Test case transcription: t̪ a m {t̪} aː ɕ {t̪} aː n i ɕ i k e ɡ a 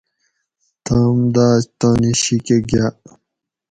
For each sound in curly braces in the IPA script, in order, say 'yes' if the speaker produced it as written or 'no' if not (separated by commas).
no, yes